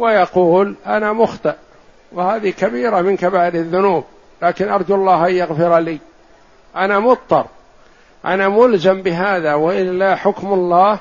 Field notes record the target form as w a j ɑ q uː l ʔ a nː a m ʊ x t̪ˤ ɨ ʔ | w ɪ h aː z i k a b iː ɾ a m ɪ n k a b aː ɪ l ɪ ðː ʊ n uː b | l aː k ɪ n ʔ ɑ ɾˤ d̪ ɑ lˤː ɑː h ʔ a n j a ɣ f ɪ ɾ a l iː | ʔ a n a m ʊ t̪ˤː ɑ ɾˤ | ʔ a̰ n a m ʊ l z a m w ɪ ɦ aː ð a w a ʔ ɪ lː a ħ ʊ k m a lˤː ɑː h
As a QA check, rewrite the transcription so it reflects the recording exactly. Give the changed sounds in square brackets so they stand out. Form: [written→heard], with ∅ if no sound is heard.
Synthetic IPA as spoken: w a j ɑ q uː l ʔ a [nː→n] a m ʊ x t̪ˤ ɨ ʔ | w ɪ h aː [z→ð] i k a b iː ɾ a m ɪ n k a b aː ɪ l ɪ ðː ʊ n uː b | l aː k ɪ n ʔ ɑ ɾˤ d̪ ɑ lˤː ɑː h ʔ a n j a ɣ f ɪ ɾ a l iː | ʔ a n a m ʊ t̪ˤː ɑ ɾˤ | ʔ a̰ n a m ʊ l z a m [w→b] ɪ ɦ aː ð a w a ʔ ɪ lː a ħ ʊ k m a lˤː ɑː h